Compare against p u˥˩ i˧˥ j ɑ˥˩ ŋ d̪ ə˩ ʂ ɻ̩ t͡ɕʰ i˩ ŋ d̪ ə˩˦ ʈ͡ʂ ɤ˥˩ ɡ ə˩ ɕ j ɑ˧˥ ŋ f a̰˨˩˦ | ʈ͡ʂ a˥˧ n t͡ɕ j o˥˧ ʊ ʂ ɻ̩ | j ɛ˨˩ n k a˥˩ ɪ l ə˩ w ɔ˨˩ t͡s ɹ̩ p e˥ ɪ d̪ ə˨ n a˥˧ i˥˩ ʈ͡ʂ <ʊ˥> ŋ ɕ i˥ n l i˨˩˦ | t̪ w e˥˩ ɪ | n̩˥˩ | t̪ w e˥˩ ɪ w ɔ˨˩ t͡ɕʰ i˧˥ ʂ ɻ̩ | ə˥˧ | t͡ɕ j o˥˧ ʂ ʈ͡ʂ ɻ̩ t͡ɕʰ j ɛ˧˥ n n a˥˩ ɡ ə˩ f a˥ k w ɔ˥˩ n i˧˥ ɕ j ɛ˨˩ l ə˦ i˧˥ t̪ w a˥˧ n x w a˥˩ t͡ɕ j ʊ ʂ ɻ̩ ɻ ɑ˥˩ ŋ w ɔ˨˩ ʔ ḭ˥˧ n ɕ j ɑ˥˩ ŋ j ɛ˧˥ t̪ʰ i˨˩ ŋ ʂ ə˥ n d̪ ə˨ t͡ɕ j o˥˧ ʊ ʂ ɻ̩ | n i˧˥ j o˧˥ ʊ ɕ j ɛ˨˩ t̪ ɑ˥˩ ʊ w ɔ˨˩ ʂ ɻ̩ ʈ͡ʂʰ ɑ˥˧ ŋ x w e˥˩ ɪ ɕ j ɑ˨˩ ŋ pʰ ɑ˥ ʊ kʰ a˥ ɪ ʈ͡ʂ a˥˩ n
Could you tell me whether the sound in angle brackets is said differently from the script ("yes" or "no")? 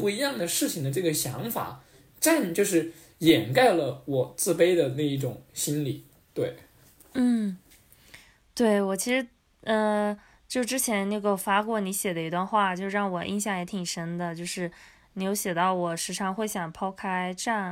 yes